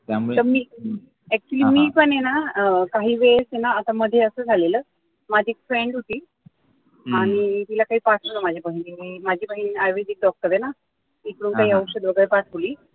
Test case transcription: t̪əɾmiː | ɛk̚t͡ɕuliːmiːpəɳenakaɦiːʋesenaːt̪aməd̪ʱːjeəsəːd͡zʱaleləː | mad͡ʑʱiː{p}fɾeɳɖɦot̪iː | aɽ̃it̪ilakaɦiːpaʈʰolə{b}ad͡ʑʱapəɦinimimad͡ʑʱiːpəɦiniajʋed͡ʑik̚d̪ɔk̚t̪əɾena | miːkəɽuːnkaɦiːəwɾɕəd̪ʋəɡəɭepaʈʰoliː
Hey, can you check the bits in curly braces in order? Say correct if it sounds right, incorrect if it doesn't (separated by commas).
incorrect, incorrect